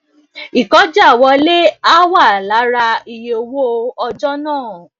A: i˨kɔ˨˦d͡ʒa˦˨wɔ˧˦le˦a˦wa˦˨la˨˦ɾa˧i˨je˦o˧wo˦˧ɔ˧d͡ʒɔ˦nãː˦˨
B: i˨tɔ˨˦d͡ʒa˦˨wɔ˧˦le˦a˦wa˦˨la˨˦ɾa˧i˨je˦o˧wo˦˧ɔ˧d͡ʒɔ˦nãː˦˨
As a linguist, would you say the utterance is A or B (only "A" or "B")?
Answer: A